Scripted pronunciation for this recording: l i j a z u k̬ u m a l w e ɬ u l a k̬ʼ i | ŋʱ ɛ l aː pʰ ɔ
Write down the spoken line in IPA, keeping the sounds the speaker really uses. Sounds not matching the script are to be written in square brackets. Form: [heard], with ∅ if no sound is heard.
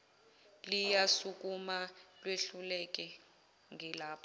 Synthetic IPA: l i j a [s] u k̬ u m a l w e ɬ u l [ɛ] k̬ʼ [ɛ] | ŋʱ ɛ l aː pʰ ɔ